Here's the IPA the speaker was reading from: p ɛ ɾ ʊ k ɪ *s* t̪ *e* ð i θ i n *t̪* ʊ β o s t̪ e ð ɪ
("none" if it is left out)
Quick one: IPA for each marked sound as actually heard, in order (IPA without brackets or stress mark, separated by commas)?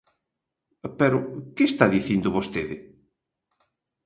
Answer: s, a, d̪